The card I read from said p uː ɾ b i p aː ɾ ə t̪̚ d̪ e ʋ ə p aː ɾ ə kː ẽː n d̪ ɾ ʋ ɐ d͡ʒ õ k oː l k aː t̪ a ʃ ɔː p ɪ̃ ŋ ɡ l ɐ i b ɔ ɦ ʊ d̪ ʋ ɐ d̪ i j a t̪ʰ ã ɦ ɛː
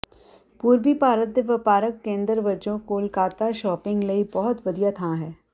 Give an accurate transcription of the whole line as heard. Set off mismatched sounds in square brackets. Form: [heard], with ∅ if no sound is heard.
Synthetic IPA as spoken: p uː ɾ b i p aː ɾ ə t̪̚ d̪ e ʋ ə p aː ɾ ə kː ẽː n d̪ ɾ ʋ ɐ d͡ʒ õ k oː l k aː t̪ a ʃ ɔː p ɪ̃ ŋ ɡ l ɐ i b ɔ ɦ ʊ [t̪] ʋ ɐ d̪ i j a t̪ʰ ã ɦ ɛː